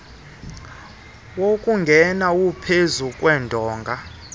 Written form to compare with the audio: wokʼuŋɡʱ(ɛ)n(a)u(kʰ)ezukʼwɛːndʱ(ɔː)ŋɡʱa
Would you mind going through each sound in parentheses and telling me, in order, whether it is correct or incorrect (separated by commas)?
correct, correct, incorrect, correct